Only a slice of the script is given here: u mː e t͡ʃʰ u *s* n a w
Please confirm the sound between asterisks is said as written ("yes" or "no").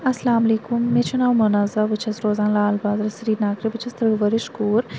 no